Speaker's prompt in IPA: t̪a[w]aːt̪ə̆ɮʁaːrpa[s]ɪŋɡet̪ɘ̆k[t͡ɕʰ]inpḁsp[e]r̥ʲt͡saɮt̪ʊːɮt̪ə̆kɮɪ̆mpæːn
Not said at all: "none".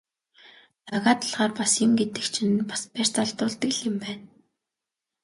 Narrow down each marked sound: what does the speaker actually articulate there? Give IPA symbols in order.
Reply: ɣ, s, t͡ɕʰ, æ

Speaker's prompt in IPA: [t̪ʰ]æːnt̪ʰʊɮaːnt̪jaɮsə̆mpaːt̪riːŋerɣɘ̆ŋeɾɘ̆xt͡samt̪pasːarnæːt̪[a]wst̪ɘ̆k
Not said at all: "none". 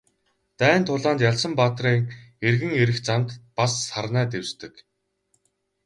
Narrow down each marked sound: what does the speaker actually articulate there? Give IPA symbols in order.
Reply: t̪, e

